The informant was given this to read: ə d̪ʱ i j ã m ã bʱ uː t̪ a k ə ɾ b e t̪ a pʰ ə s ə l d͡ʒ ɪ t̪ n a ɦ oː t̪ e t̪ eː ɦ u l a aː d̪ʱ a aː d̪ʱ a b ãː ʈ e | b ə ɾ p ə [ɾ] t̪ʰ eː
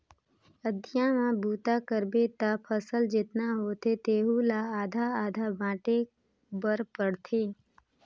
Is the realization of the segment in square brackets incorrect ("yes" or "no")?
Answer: yes